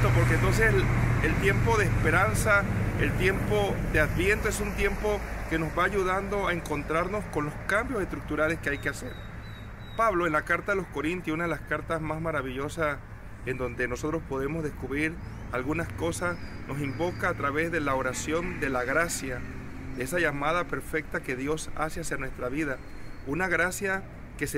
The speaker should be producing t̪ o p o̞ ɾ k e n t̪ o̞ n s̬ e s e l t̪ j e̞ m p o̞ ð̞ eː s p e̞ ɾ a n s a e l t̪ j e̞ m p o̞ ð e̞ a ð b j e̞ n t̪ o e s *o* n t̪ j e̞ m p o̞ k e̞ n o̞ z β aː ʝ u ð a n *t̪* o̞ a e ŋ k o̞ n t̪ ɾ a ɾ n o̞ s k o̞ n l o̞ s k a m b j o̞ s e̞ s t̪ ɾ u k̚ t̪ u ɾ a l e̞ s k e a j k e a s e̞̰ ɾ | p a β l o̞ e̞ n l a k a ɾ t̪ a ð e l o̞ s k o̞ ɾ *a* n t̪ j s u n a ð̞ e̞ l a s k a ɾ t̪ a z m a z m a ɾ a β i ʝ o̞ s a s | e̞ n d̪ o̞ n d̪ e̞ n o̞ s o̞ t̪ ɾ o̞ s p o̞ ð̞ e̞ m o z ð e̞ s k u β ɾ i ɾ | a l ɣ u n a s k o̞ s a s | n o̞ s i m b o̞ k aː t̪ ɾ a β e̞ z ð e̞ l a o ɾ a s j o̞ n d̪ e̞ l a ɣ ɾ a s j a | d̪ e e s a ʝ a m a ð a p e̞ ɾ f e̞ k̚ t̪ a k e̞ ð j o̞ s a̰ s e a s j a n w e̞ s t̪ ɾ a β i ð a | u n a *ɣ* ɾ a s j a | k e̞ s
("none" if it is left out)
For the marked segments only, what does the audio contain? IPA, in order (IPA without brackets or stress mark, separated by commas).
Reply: u, d̪, i, ɣ